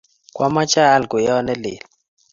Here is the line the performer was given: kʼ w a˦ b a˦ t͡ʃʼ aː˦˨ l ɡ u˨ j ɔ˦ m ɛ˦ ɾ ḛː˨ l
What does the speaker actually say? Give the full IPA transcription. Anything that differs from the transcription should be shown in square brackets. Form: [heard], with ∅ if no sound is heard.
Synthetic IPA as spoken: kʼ w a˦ [m] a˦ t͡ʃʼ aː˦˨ l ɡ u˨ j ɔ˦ [n] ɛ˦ [l] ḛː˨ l